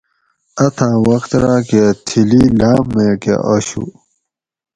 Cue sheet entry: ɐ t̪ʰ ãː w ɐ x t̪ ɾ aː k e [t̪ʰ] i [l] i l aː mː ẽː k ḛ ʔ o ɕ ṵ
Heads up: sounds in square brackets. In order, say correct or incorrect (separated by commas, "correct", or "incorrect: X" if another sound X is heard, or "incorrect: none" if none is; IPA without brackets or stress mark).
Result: correct, correct